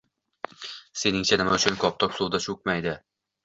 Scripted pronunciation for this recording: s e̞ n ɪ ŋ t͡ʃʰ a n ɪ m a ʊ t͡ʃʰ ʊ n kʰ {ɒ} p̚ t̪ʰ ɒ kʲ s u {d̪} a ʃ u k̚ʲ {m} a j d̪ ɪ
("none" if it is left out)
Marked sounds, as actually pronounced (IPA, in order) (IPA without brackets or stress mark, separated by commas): ɒ, d̪, m